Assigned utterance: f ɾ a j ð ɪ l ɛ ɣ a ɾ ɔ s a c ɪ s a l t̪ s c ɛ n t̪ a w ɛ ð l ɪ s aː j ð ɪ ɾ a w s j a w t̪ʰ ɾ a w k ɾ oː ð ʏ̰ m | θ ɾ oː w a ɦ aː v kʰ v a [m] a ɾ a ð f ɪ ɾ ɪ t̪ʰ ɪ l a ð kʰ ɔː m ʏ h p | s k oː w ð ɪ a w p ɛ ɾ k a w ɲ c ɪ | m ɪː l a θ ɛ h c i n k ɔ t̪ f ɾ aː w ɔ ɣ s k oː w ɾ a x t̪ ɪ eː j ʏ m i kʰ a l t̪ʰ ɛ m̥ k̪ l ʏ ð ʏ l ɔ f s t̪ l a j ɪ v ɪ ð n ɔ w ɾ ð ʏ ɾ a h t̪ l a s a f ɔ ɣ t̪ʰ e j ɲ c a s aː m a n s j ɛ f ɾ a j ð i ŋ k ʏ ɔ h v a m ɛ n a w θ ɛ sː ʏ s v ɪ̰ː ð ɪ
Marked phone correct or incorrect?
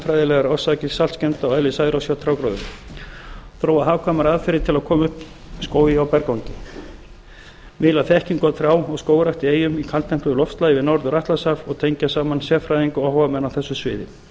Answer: correct